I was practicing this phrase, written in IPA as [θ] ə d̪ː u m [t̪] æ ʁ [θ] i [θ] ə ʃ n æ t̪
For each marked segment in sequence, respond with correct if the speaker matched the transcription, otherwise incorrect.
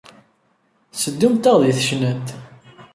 incorrect: s, correct, incorrect: ð, correct

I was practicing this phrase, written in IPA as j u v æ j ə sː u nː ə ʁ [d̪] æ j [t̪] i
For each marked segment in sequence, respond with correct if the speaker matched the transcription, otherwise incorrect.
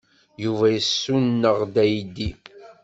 correct, incorrect: d̪

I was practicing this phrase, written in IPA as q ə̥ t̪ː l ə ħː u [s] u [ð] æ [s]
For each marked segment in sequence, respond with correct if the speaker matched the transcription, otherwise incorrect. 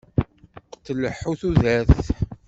incorrect: θ, correct, incorrect: θ

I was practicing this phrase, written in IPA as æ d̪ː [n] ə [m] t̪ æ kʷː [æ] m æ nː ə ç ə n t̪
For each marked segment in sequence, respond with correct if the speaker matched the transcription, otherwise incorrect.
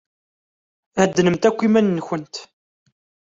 correct, correct, incorrect: i

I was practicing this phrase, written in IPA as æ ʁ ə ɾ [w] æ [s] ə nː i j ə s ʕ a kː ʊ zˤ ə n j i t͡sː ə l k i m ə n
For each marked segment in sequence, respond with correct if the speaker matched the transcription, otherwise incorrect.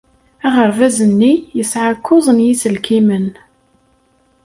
incorrect: v, incorrect: z

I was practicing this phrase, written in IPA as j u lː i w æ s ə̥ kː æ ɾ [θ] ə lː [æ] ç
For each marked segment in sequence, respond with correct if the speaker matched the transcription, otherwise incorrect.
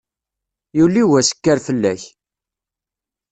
incorrect: f, correct

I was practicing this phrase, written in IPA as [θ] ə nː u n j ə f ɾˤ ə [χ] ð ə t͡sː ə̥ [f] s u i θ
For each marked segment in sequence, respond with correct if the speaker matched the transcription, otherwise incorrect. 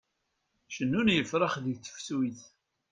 incorrect: ʃ, correct, correct

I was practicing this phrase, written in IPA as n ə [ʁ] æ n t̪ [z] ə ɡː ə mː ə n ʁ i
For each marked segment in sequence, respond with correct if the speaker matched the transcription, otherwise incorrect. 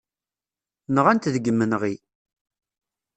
correct, incorrect: ð

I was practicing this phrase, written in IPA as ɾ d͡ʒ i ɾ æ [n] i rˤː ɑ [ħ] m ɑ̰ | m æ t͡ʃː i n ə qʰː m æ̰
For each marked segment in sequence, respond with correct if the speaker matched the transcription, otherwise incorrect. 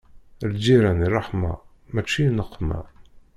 correct, correct

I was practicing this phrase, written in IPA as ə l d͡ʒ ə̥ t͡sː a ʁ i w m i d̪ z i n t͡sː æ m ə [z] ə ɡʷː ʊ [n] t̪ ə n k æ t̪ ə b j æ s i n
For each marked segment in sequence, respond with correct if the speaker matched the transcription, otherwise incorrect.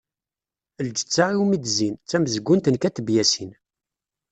correct, correct

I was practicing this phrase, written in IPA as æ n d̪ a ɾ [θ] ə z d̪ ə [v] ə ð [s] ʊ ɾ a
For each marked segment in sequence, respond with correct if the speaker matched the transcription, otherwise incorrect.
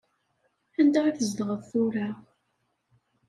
correct, incorrect: ʁ, incorrect: θ

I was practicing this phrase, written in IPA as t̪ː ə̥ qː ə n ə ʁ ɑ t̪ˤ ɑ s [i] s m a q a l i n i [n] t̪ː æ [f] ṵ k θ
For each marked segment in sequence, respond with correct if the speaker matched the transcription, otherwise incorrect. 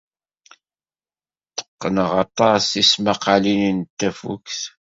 correct, correct, correct

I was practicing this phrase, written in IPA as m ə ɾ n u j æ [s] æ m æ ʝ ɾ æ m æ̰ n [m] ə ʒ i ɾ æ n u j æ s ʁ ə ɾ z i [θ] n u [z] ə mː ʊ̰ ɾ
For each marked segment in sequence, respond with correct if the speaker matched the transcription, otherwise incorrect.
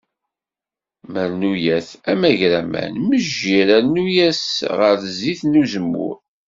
incorrect: θ, correct, correct, correct

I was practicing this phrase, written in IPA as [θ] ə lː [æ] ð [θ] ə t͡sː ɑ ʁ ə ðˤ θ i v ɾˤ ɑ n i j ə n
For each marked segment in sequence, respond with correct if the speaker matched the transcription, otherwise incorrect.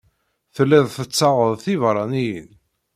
correct, correct, correct

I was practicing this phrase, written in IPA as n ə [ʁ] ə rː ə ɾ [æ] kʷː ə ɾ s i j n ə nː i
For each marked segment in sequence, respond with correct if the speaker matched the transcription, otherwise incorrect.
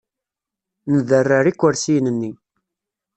incorrect: ð, incorrect: i

